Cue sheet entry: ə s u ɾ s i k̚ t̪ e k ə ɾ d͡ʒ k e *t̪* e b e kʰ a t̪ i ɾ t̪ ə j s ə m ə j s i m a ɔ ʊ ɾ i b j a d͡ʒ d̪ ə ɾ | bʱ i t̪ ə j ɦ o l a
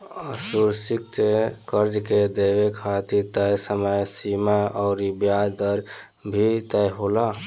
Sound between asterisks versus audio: incorrect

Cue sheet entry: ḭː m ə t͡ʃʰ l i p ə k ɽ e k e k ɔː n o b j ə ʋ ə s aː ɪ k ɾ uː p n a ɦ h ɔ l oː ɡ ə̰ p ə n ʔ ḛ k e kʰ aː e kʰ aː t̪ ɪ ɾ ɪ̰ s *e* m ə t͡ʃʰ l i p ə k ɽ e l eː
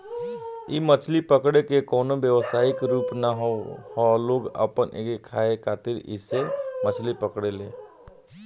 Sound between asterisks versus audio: correct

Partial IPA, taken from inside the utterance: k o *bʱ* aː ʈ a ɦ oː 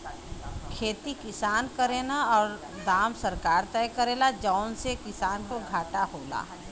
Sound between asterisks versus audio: incorrect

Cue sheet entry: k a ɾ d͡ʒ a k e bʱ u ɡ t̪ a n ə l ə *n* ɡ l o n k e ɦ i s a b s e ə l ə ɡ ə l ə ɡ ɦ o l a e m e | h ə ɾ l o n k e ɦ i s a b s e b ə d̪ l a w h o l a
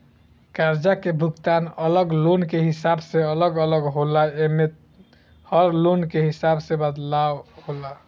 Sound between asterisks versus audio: incorrect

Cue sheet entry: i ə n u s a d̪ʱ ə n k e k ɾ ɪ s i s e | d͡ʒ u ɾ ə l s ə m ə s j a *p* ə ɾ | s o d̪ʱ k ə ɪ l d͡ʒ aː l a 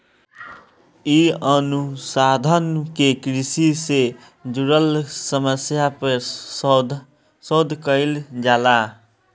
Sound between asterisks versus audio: correct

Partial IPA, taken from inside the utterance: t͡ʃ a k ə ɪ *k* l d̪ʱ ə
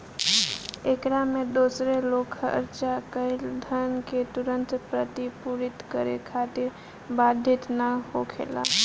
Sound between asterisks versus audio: incorrect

